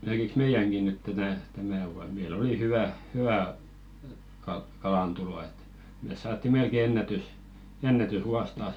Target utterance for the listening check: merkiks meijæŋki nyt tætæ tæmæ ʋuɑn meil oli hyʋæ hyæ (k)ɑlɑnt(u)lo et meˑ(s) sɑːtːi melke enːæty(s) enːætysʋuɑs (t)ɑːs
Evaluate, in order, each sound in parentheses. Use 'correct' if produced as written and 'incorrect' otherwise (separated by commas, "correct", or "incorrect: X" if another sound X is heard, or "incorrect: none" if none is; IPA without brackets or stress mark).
correct, correct, correct, correct, correct